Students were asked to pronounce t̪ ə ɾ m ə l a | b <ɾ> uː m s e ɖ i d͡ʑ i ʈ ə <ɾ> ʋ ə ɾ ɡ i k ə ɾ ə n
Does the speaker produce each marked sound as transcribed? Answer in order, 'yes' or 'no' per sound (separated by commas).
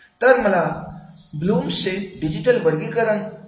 no, no